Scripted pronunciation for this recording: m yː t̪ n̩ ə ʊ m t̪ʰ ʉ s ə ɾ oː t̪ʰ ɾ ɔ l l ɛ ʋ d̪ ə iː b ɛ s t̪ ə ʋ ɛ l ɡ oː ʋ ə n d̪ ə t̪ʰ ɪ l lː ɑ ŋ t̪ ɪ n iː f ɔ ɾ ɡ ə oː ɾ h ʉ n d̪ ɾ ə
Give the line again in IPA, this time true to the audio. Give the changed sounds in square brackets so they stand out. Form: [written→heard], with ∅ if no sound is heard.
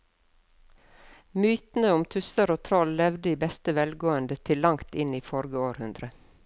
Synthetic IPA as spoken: m yː t̪ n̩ ə ʊ m t̪ʰ ʉ s ə ɾ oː t̪ʰ ɾ ɔ l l ɛ ʋ d̪ ə iː b ɛ s t̪ ə ʋ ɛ l ɡ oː [ʋ→∅] ə n d̪ ə t̪ʰ ɪ l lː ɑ ŋ t̪ ɪ n iː f ɔ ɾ ɡ ə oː ɾ h ʉ n d̪ ɾ ə